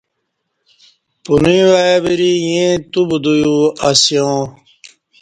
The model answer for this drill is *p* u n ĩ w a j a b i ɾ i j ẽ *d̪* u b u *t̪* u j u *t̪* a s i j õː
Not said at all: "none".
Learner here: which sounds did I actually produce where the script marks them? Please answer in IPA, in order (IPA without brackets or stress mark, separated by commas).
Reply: p, t̪, d̪, none